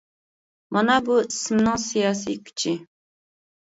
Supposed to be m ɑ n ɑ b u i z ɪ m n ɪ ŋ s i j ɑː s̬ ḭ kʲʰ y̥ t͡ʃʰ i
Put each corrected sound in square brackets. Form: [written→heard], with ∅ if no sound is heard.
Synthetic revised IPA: m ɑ n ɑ b u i [z→s] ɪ m n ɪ ŋ s i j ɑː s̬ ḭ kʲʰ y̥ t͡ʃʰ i